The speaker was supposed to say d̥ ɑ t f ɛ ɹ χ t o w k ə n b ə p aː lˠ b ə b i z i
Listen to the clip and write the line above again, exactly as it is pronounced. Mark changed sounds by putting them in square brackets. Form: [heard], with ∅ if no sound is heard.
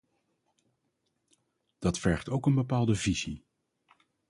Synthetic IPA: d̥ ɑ t f ɛ ɹ χ t o w k ə n b ə p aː lˠ [d] ə [v] i z i